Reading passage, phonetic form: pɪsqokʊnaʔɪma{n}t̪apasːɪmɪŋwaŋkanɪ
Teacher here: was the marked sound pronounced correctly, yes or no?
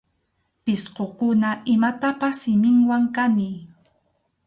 no